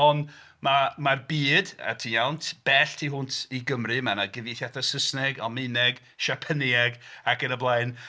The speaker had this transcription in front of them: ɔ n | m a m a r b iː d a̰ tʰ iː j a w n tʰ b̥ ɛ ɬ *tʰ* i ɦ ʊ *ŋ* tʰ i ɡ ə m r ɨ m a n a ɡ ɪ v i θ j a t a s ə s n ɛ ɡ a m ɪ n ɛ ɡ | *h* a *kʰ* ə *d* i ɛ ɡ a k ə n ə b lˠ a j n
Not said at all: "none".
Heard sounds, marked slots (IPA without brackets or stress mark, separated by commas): tʰ, n, ʃ, pʰ, n